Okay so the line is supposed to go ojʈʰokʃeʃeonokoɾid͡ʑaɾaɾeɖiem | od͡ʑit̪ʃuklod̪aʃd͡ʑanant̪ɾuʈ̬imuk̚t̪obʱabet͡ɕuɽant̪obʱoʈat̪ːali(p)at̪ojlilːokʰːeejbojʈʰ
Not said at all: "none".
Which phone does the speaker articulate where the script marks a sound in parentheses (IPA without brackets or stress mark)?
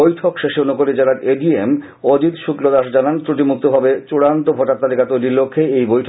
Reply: k